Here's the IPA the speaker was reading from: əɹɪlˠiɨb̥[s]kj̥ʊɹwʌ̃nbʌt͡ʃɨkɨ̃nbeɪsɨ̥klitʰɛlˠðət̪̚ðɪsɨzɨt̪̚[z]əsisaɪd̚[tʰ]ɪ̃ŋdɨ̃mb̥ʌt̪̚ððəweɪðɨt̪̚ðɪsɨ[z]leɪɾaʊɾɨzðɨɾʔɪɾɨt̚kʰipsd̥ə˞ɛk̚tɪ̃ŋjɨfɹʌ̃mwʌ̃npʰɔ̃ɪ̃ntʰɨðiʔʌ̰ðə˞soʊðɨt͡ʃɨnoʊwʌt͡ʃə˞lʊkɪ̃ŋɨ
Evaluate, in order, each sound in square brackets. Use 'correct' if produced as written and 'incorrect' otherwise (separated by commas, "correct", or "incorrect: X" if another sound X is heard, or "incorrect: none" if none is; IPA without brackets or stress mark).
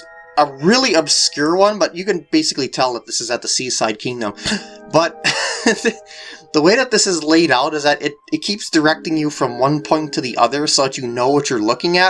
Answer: correct, incorrect: ð, incorrect: kʰ, correct